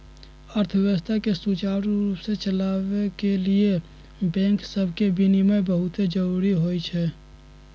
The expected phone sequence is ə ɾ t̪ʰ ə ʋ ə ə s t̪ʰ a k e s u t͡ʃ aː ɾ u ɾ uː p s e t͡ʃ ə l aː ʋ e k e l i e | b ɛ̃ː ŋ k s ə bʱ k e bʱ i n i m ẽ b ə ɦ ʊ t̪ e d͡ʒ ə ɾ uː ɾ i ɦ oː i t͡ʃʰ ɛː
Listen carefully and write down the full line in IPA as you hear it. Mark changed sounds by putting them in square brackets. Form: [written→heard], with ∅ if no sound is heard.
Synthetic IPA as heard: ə ɾ t̪ʰ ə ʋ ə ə s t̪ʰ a k e s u t͡ʃ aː ɾ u ɾ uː p s e t͡ʃ ə l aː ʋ e k e l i e | b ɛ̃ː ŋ k s ə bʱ k e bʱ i n i m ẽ b ə ɦ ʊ t̪ e d͡ʒ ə ɾ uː ɾ i ɦ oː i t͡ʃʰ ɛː

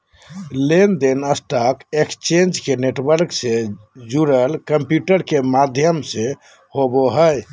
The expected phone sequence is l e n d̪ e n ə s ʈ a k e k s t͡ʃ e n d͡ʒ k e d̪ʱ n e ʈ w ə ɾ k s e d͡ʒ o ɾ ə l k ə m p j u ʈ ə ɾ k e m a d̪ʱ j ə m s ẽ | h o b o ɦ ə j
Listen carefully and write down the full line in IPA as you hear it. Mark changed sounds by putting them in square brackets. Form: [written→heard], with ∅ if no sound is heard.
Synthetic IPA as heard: l e n d̪ e n ə s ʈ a k e k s t͡ʃ e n d͡ʒ k e [d̪ʱ→∅] n e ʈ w ə ɾ k s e d͡ʒ [o→u] ɾ ə l k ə m p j u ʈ ə ɾ k e m a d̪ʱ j ə m s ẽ | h o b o ɦ ə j

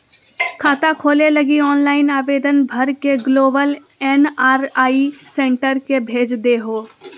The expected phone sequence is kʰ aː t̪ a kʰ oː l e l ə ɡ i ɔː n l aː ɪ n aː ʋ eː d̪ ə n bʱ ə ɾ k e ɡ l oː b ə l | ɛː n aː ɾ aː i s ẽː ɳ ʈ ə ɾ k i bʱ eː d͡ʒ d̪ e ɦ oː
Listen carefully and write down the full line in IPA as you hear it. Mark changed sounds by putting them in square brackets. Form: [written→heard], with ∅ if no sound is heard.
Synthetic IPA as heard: kʰ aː t̪ a kʰ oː l e l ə ɡ i ɔː n l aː ɪ n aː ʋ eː d̪ ə n bʱ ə ɾ k e ɡ l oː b ə l | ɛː n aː ɾ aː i s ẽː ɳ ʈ ə ɾ k [i→e] bʱ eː d͡ʒ d̪ e ɦ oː

